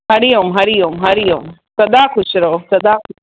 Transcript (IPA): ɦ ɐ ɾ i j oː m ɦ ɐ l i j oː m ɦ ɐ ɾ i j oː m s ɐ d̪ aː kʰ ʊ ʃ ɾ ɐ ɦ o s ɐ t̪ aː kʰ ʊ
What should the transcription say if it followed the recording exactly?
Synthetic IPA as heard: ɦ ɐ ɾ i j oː m ɦ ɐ ɾ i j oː m ɦ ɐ ɾ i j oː m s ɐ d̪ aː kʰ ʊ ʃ ɾ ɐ ɦ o s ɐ d̪ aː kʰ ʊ